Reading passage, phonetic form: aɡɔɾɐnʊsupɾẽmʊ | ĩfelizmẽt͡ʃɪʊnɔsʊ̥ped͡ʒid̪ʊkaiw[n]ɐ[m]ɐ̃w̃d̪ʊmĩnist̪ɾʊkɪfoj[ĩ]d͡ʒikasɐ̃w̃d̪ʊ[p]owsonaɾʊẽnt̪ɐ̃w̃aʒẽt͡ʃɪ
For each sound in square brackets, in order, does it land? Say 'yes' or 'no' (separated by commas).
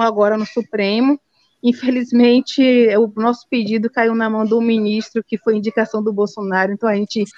yes, yes, yes, no